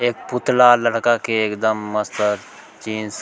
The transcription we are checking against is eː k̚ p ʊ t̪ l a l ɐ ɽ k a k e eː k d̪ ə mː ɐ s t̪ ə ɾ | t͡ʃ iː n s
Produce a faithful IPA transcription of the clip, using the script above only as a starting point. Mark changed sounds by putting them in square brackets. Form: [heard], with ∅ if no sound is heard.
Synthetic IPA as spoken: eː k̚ p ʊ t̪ l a l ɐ ɽ k a k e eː k d̪ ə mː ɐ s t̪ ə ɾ | t͡ʃ iː n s